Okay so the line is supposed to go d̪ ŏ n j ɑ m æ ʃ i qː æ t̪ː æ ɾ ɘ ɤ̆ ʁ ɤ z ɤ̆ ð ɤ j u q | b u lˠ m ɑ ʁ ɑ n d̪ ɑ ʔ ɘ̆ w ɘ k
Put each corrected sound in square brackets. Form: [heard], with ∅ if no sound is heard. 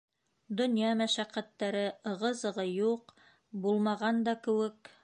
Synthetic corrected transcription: d̪ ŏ n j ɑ m æ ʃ [æ] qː æ t̪ː æ ɾ ɘ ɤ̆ ʁ ɤ z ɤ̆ [ʁ] ɤ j u q | b u lˠ m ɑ ʁ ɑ n d̪ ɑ [k] ɘ̆ w ɘ k